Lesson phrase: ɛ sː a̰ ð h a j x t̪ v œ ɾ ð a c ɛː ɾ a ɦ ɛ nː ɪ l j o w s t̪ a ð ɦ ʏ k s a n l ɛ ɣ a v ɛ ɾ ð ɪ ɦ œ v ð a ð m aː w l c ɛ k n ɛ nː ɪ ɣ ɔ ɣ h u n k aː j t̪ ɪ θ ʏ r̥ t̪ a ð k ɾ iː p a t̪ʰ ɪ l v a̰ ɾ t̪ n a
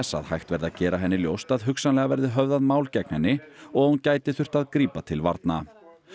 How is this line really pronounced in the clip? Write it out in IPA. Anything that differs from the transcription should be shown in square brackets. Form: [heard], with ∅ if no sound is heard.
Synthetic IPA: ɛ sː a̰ ð h a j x t̪ v [ɛ] ɾ ð a c ɛː ɾ a ɦ ɛ nː ɪ l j o w s t̪ a ð ɦ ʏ k s a n l ɛ ɣ a v ɛ ɾ ð ɪ ɦ œ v ð a ð m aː w l c ɛ k n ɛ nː ɪ [∅] ɔ ɣ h u n [c] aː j t̪ ɪ θ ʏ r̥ t̪ a ð k ɾ iː p a t̪ʰ ɪ l v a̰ ɾ t̪ n a